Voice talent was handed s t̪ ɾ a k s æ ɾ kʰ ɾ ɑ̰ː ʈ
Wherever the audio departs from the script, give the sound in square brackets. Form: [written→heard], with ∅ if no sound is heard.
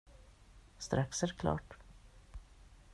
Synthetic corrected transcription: s t̪ ɾ a k s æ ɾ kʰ [ɾ→l] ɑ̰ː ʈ